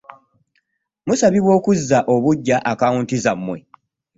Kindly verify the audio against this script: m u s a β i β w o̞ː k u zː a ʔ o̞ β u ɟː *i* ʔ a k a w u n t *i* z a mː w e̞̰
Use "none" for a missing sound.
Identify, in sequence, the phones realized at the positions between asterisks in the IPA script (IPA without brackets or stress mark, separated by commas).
a, i